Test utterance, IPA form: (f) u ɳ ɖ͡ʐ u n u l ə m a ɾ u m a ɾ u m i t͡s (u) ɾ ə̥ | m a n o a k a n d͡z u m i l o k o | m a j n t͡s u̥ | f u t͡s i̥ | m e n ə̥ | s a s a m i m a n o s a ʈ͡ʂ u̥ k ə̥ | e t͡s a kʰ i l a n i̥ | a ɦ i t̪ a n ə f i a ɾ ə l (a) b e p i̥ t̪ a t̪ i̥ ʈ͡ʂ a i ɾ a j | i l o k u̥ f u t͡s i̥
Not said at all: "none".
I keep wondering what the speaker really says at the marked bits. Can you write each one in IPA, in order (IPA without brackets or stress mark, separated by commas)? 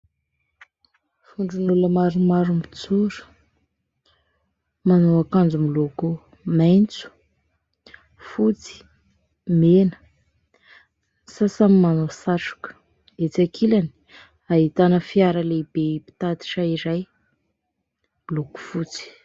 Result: f, u, e